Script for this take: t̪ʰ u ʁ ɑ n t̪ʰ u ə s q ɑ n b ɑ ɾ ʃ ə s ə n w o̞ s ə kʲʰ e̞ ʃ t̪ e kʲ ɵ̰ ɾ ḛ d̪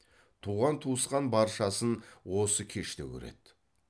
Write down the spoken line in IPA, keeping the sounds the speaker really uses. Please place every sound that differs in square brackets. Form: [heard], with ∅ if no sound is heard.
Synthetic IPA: t̪ʰ u ʁ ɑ n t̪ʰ u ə s q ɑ n b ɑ ɾ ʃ [ɑ] s ə n w o̞ s ə kʲʰ e̞ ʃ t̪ e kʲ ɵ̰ ɾ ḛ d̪